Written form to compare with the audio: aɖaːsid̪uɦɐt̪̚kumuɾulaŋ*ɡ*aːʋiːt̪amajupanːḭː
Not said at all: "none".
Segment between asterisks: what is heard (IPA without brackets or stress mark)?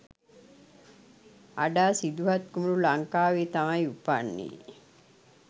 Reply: k